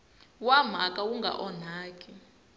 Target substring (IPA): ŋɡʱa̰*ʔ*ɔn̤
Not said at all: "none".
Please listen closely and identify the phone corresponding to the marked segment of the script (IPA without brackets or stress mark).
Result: ʔ